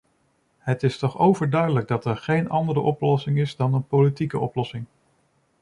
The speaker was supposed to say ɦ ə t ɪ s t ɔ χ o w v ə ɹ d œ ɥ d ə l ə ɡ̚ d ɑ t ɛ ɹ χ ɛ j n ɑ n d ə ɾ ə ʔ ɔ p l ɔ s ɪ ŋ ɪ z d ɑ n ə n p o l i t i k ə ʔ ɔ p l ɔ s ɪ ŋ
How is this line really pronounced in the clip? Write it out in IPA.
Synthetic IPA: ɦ ə t ɪ s t ɔ χ o w v ə ɹ d œ ɥ d ə l ə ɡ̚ d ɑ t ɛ ɹ χ e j n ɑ n d ə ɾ ə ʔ ɔ p l ɔ s ɪ ŋ ɪ z d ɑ n ə n p o l i t i k ə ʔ ɔ p l ɔ s ɪ ŋ